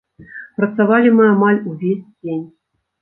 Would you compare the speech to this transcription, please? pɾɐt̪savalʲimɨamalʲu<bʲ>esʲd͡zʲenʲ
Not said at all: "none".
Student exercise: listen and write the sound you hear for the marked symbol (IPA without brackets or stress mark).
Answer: vʲ